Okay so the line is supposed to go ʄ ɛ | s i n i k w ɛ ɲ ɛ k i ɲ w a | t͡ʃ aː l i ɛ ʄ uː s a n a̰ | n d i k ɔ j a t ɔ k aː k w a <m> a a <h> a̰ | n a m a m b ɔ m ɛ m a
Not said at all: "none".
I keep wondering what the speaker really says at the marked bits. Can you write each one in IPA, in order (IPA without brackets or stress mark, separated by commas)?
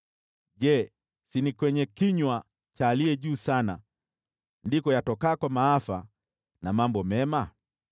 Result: m, f